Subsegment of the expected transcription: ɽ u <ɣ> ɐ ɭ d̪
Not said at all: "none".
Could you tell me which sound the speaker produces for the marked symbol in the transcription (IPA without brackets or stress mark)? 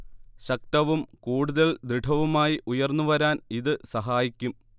ð